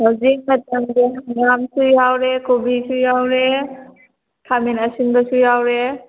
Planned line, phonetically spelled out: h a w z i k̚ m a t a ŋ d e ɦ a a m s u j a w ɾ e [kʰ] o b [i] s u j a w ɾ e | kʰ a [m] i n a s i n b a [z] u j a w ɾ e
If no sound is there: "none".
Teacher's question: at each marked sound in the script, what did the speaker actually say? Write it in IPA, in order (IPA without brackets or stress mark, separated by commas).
k, i, m, s